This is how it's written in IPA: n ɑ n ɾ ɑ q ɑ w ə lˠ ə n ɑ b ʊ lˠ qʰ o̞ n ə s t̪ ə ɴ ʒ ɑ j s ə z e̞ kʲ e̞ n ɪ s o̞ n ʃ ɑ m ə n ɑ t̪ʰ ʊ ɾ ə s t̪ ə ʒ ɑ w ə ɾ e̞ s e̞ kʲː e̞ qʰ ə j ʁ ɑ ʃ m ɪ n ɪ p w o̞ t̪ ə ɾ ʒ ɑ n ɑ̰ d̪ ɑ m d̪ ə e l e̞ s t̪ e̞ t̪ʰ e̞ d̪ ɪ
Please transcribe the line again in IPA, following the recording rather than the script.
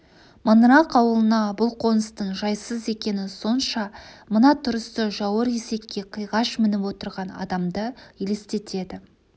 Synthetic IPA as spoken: m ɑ n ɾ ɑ q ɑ w ə lˠ ə n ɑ b ʊ lˠ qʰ o̞ n ə s t̪ ə ɴ ʒ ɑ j s ə z e̞ kʲ e̞ n ɪ s o̞ n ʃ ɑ m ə n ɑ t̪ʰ ʊ ɾ ə s t̪ ə ʒ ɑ w ə ɾ e̞ s e̞ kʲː e̞ qʰ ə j ʁ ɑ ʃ m ɪ n ɪ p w o̞ t̪ ə ɾ ʁ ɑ n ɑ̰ d̪ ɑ m d̪ ə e l e̞ s t̪ e̞ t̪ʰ e̞ d̪ ɪ